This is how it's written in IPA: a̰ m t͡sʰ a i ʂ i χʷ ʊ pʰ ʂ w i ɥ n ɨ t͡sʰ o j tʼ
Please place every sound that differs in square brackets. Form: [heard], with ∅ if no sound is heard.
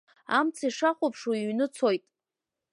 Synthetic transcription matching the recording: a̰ m t͡sʰ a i ʂ [a] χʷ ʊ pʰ ʂ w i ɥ n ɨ t͡sʰ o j tʼ